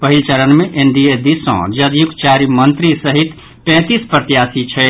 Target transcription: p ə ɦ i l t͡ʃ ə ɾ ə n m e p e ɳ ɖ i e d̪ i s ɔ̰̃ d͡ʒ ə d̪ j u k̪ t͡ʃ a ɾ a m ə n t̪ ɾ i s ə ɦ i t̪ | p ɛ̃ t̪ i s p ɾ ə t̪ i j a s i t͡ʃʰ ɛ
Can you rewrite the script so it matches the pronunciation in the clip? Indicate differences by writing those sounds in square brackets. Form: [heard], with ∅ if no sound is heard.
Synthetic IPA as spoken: p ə ɦ i l t͡ʃ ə ɾ ə n m e [ʔ] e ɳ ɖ i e d̪ i s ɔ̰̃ d͡ʒ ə d̪ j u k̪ t͡ʃ a ɾ [i] m ə n t̪ ɾ i s ə ɦ i t̪ | p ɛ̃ t̪ i s p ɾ ə t̪ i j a s i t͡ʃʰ ɛ